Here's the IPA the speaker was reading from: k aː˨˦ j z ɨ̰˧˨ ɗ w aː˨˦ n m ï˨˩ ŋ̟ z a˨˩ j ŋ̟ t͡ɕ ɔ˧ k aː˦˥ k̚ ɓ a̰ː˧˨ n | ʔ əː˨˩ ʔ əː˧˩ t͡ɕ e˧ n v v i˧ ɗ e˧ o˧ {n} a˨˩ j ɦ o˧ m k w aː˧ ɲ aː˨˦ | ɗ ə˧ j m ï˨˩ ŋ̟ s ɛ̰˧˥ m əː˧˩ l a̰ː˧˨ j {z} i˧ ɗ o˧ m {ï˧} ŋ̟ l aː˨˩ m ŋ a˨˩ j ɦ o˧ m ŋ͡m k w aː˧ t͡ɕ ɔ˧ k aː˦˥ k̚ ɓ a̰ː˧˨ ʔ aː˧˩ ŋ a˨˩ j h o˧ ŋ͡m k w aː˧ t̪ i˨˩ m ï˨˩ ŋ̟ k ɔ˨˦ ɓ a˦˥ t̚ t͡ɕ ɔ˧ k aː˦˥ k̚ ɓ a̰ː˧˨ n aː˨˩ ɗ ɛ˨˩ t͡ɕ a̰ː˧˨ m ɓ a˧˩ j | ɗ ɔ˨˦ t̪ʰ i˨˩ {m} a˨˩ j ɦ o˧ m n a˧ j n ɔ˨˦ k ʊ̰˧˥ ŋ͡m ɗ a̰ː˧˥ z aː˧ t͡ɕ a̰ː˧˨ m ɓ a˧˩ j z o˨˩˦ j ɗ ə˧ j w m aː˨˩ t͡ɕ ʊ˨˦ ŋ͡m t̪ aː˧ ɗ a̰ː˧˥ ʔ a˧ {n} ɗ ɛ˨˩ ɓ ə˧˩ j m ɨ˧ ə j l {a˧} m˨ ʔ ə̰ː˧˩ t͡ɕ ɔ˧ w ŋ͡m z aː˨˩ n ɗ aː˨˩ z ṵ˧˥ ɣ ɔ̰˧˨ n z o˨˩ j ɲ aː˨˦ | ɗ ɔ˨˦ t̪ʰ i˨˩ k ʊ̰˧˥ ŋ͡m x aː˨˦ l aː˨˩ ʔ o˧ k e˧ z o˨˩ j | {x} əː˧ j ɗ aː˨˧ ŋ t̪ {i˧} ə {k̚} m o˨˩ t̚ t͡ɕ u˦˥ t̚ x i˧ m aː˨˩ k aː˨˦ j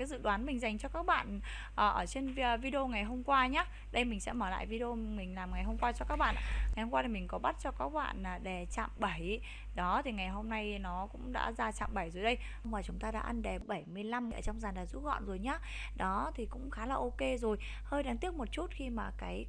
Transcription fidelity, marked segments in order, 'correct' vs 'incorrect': incorrect: ŋ, incorrect: v, incorrect: ï˨˩, incorrect: ŋ, correct, correct, incorrect: h, incorrect: i˦˥, correct

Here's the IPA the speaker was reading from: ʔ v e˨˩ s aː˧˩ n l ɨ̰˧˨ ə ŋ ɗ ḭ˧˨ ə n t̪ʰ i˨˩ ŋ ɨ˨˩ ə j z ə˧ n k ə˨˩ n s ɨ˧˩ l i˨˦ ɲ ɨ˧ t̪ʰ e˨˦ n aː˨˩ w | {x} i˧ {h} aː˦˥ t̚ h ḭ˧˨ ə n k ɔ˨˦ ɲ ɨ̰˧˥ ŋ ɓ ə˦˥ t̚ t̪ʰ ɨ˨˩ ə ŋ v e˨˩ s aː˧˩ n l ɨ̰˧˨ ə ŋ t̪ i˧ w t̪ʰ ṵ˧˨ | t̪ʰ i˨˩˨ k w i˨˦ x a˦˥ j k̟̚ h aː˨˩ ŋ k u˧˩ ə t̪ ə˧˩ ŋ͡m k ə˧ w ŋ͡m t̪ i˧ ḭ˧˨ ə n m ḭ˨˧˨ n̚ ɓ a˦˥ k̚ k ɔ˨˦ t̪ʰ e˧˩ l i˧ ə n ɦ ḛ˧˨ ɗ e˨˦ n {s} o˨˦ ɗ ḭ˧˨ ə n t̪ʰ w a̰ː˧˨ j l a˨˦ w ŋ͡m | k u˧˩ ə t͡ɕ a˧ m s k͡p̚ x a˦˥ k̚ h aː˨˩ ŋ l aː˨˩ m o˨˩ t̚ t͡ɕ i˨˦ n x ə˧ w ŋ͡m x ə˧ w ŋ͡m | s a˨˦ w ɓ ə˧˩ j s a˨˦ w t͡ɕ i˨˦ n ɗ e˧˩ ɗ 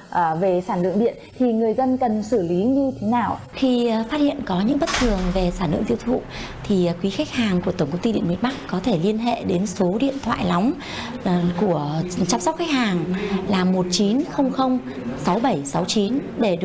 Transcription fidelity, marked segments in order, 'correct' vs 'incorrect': correct, incorrect: f, correct

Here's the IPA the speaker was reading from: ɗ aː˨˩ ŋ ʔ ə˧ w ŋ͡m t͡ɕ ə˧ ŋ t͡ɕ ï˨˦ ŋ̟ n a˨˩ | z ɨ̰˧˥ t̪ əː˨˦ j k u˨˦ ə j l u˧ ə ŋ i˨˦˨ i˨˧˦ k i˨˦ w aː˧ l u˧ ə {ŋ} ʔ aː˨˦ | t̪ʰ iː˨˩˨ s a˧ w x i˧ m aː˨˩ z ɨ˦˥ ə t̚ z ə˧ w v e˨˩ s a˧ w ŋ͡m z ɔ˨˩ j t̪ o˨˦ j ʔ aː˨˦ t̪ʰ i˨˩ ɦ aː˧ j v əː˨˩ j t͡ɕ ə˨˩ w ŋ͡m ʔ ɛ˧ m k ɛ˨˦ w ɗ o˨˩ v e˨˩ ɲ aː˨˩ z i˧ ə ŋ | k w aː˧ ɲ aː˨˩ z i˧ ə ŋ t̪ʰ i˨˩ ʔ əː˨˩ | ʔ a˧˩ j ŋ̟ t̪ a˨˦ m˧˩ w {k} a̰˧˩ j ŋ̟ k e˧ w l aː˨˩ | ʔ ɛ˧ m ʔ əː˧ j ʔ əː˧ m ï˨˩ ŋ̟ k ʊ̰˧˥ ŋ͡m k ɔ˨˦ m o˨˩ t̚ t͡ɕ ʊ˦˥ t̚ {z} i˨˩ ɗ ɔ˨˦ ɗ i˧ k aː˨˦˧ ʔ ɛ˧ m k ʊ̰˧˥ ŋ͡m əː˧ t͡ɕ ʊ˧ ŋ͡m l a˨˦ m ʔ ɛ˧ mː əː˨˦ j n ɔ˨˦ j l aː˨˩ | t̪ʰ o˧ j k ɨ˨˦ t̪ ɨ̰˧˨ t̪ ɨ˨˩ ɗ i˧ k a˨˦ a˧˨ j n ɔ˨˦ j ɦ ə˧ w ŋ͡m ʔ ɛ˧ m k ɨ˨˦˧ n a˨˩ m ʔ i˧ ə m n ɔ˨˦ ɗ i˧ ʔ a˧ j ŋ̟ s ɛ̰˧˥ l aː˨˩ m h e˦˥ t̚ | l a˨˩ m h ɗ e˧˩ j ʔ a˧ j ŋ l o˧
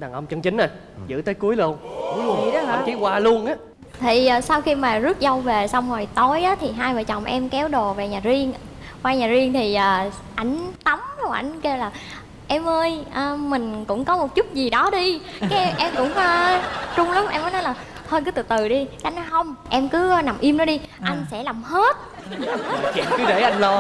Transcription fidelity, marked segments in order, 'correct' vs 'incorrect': incorrect: n, incorrect: ʔ, correct

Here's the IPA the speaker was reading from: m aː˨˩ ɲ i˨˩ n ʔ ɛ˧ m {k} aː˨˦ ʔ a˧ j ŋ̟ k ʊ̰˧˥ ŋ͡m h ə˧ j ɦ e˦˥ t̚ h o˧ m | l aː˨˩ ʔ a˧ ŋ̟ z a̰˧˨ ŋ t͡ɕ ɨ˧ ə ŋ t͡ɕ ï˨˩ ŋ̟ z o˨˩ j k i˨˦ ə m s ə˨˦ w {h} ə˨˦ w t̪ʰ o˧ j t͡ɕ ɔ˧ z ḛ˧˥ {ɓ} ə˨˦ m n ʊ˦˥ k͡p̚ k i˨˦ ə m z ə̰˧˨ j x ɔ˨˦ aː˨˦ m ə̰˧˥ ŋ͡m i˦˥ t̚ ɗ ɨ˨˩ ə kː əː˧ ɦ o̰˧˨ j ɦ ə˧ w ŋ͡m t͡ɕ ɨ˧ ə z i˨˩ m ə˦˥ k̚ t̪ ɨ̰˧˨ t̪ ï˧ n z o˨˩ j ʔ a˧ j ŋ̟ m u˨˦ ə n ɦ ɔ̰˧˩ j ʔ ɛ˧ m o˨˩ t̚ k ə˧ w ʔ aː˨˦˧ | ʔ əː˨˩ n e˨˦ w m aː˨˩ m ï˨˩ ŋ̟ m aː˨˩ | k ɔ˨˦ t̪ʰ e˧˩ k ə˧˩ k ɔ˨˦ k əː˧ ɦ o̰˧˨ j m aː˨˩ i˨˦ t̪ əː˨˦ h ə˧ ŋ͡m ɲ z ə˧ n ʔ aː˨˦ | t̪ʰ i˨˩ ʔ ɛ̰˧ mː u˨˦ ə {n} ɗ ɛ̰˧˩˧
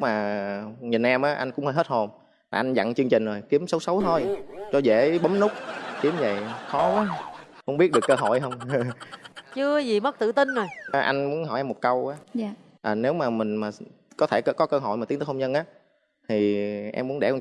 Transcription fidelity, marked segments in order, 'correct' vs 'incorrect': incorrect: ʔ, incorrect: s, correct, correct

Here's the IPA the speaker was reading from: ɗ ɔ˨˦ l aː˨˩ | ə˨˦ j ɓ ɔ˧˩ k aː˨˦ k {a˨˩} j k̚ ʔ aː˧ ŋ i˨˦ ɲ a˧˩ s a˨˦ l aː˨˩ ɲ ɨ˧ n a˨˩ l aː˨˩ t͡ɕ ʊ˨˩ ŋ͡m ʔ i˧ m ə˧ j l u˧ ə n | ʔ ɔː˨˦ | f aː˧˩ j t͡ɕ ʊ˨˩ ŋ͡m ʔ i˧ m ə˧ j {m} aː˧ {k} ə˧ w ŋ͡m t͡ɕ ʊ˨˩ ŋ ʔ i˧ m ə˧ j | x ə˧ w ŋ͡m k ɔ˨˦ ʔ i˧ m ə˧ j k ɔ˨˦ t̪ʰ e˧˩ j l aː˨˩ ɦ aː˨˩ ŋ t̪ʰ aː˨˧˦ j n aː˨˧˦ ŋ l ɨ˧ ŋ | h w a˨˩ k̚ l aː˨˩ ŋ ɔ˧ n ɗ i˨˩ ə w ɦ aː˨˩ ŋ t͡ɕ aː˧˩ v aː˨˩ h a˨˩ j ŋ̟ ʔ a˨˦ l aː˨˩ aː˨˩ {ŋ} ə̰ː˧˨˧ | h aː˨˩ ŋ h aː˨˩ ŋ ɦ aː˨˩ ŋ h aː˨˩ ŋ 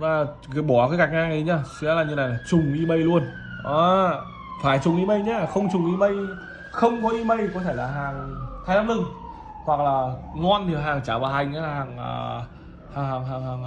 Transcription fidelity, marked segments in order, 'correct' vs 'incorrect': correct, incorrect: ɲ, incorrect: x, correct

